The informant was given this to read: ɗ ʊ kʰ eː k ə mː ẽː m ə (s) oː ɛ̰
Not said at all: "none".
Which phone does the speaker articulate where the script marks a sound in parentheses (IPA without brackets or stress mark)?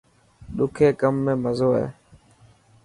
z